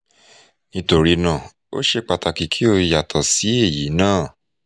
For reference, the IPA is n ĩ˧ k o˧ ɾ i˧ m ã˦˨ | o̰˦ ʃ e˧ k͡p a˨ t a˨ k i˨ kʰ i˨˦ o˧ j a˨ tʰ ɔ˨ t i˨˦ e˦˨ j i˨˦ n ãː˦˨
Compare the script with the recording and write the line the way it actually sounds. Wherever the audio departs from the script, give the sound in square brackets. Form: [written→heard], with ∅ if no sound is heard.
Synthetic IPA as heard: n ĩ˧ [k→t] o˧ ɾ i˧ [m→n] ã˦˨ | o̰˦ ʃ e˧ k͡p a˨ t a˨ k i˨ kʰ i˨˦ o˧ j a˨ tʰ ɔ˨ [t→s] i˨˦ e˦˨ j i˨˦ n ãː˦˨